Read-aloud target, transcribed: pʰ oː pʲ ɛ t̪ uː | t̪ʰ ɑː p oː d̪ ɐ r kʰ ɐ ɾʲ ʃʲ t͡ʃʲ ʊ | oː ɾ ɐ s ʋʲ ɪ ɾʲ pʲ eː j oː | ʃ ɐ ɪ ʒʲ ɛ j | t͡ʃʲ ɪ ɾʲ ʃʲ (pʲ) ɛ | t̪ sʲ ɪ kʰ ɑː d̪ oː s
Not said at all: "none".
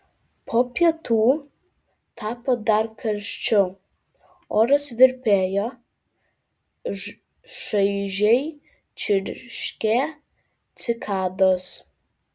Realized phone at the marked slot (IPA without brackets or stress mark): kʲ